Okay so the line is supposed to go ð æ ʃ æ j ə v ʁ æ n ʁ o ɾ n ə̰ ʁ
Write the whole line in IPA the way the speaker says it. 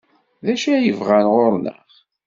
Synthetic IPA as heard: ð æ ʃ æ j ə v ʁ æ n ʁ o ɾ n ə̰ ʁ